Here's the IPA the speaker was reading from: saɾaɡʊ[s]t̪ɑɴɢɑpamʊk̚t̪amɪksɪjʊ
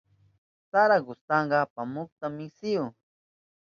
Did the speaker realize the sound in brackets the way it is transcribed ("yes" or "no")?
yes